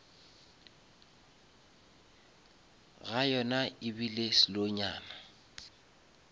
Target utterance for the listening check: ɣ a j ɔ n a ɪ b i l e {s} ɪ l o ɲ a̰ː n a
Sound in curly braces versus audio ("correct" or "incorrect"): correct